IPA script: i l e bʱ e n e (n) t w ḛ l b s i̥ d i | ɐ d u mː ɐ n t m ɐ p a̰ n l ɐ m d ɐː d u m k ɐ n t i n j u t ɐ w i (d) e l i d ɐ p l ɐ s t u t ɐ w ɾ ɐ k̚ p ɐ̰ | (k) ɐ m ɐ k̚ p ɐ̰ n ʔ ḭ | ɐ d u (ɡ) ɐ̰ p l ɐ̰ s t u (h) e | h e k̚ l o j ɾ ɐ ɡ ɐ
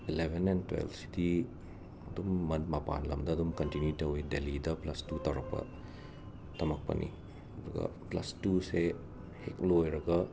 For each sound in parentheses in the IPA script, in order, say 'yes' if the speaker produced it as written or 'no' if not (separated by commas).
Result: yes, yes, no, yes, no